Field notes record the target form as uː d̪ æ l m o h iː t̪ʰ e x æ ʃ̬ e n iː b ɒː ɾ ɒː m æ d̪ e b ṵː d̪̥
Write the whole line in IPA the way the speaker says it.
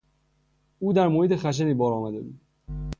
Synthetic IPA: uː d̪ æ ɾ m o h iː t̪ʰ e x æ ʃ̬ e n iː b ɒː ɾ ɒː m æ d̪ e b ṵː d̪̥